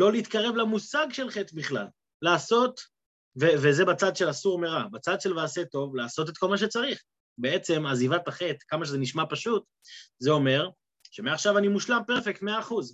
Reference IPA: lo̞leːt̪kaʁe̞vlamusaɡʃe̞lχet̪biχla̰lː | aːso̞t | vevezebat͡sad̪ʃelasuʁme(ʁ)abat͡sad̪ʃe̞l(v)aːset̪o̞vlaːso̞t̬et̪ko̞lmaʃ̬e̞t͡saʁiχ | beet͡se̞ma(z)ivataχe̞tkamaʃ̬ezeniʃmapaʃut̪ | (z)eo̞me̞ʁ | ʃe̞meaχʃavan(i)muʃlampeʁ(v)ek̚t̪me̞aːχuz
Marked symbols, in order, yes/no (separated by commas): yes, yes, yes, yes, yes, no